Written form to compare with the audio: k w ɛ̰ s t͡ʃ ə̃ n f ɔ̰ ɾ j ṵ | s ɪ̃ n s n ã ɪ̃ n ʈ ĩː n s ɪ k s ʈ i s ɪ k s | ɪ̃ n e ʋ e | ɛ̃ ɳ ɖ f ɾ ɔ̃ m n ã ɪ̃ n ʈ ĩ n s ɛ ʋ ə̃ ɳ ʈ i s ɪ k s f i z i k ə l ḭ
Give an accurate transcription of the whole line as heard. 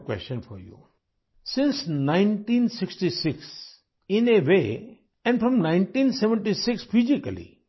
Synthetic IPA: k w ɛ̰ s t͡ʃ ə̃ n f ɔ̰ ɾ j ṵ | s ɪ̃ n s n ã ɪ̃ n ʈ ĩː n s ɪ k s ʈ i s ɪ k s | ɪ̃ n e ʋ e | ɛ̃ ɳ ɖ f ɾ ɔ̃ m n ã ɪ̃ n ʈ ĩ n s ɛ ʋ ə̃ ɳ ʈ i s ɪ k s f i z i k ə l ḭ